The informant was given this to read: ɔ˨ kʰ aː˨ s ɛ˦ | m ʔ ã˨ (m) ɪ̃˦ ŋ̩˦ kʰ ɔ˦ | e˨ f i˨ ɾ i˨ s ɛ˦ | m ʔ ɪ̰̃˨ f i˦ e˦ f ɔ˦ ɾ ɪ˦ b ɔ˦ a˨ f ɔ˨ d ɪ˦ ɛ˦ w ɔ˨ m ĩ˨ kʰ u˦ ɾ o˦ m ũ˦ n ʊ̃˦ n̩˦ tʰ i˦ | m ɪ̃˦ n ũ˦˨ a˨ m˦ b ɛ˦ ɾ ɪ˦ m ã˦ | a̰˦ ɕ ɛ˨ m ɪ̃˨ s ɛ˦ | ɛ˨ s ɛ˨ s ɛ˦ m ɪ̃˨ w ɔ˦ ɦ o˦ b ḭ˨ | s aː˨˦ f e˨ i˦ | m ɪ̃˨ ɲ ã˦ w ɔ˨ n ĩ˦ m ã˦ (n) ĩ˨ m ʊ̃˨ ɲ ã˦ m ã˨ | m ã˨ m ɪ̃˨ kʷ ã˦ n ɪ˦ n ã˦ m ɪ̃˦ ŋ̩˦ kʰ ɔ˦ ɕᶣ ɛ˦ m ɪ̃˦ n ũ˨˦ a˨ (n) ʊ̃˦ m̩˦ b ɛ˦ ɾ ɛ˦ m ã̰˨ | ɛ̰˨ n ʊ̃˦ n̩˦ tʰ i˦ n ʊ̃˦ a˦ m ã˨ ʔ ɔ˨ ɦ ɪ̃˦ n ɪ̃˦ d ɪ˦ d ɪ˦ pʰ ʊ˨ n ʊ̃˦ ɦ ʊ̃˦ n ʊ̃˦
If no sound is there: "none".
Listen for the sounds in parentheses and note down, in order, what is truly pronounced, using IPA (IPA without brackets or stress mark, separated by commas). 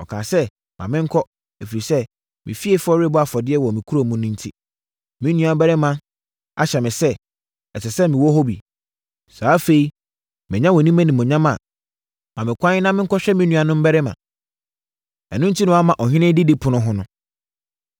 m, n, n